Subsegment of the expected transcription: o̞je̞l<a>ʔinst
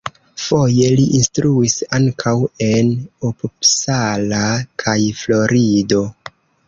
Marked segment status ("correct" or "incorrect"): incorrect